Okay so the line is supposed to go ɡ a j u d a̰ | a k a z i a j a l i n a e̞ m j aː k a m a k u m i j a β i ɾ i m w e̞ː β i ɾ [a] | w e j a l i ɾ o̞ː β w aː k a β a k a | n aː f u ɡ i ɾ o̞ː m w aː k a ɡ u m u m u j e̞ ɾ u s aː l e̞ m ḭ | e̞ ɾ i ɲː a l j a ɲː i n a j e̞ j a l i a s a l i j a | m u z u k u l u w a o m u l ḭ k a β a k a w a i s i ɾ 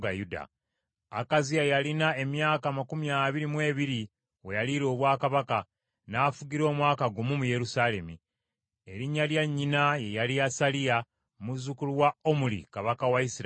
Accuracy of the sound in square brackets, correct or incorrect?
incorrect